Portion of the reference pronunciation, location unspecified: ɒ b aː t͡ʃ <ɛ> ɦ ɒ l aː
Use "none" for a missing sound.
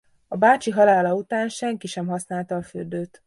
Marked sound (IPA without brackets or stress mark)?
i